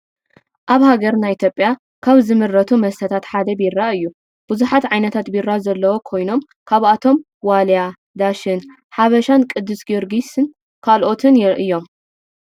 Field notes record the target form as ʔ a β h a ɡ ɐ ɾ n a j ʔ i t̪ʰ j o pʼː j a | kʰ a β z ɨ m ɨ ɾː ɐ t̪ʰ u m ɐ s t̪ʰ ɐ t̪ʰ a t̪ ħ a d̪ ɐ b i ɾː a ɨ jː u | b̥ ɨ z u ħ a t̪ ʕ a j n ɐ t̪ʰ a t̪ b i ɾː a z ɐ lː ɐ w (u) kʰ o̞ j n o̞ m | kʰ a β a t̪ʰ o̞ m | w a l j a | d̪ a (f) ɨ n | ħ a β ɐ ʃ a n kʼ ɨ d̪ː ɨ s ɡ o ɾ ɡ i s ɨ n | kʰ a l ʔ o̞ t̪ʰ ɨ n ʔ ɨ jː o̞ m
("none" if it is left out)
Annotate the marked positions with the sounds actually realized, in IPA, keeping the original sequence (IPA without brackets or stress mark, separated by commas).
o, ʃ